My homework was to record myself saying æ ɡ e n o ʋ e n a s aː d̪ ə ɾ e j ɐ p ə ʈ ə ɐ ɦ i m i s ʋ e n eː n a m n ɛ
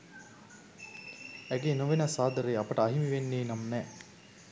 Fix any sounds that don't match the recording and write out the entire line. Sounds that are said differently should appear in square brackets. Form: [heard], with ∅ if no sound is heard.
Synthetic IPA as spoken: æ ɡ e n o ʋ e n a s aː d̪ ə ɾ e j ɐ p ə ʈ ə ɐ ɦ i m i [∅] ʋ e [nː] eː n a m n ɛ